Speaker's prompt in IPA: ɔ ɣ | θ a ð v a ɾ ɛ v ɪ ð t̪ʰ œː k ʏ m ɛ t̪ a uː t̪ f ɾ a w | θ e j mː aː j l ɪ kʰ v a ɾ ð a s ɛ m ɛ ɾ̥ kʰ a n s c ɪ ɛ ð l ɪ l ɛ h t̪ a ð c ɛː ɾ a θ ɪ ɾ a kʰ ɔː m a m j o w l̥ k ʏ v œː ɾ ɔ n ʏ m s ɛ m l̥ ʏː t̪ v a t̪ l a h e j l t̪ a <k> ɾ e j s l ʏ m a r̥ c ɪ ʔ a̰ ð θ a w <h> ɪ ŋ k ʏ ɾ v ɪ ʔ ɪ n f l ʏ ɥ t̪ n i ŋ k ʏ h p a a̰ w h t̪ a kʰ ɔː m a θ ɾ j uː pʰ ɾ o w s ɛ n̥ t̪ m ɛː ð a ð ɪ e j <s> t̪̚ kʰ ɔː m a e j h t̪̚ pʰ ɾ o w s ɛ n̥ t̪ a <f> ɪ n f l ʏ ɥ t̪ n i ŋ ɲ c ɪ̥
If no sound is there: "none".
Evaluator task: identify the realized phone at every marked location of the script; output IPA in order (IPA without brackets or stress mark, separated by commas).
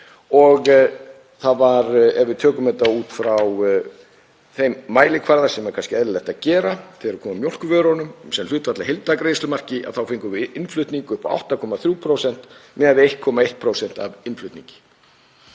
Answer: k, f, h, v